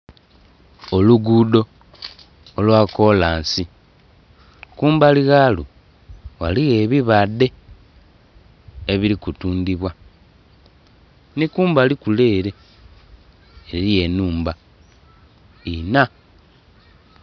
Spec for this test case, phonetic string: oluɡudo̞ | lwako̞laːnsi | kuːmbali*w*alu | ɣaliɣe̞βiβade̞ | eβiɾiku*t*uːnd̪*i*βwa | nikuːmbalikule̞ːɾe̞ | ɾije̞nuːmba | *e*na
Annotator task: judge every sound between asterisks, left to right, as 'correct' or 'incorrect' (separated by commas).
incorrect, correct, correct, incorrect